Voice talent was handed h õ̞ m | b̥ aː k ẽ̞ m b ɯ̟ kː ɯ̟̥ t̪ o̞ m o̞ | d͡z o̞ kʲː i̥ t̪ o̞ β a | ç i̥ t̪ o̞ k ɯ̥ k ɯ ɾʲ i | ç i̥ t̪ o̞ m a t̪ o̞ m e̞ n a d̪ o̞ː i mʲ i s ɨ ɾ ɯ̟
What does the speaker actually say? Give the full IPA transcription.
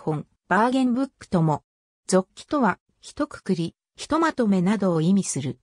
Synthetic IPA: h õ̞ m | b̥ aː ɡ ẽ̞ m b ɯ̟ kː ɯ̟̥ t̪ o̞ m o̞ | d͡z o̞ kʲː i̥ t̪ o̞ β a | ç i̥ t̪ o̞ k ɯ̥ k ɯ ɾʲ i | ç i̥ t̪ o̞ m a t̪ o̞ m e̞ n a d̪ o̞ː i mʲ i s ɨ ɾ ɯ̟